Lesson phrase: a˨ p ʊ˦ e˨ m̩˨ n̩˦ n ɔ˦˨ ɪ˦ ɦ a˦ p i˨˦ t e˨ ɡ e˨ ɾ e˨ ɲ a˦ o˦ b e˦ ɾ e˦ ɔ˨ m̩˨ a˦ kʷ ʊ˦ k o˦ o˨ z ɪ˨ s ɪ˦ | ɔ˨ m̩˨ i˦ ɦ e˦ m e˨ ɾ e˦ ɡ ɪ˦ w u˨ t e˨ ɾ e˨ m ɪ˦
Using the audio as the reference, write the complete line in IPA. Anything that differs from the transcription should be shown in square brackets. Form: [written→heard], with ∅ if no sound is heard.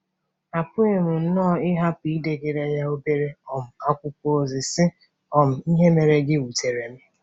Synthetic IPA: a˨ p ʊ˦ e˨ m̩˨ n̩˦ n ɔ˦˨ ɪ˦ ɦ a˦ p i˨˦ [t→d] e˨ ɡ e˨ ɾ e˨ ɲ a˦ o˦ b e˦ ɾ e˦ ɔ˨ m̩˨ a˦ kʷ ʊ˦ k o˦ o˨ z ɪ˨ s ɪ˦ | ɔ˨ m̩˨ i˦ ɦ e˦ m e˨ ɾ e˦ ɡ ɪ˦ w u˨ t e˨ ɾ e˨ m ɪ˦